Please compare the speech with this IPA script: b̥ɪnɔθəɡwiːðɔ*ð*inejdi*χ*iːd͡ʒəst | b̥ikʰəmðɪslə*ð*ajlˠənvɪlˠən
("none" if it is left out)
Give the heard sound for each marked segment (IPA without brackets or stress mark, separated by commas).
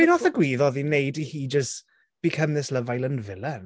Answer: ð, h, v